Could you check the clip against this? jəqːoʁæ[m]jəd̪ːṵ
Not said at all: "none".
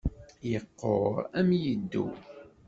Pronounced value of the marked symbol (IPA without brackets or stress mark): m